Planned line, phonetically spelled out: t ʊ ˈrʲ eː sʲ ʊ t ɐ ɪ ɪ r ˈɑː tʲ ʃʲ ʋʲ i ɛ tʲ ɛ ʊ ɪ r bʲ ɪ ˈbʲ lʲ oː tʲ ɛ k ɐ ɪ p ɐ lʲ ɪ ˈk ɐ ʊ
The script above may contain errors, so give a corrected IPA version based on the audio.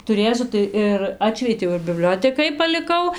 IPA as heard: t ʊ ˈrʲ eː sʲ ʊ t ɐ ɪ ɪ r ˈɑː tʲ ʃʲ ʋʲ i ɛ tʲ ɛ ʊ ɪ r bʲ ɪ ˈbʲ lʲ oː tʲ ɛ k ɐ ɪ p ɐ lʲ ɪ ˈk ɐ ʊ